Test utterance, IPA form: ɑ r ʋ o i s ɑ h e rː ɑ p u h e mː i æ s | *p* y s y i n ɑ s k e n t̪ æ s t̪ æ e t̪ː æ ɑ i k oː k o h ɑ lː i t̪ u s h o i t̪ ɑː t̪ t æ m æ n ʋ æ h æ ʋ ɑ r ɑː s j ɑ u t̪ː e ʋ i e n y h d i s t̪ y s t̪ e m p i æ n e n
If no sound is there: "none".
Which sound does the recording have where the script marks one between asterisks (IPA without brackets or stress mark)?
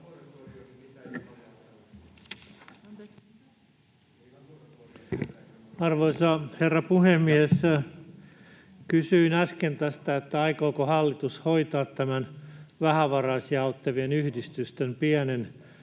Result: k